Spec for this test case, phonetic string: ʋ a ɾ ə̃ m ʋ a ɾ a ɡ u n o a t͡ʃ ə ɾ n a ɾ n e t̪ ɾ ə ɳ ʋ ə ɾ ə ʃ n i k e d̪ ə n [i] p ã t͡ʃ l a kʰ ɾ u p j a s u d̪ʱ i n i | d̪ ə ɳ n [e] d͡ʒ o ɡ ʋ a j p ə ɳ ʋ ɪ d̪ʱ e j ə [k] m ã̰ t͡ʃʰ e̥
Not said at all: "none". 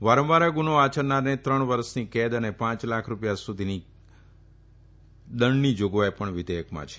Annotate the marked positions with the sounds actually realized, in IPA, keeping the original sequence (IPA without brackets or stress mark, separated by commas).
e, i, k